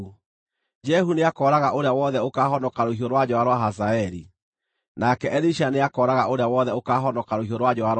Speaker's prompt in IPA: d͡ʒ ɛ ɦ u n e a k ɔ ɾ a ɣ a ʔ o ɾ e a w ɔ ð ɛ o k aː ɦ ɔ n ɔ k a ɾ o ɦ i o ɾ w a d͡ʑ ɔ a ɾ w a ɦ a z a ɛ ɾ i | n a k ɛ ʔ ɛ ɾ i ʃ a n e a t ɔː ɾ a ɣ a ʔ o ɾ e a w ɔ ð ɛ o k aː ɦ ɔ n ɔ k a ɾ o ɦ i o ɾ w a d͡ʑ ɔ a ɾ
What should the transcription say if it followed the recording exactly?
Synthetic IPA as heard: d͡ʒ ɛ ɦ u n e a k ɔ ɾ a ɣ a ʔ o ɾ e a w ɔ ð ɛ o k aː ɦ ɔ n ɔ k a ɾ o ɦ i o ɾ w a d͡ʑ ɔ a ɾ w a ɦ a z a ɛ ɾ i | n a k ɛ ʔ ɛ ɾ i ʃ a n e a k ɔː ɾ a ɣ a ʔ o ɾ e a w ɔ ð ɛ o k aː ɦ ɔ n ɔ k a ɾ o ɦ i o ɾ w a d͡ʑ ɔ a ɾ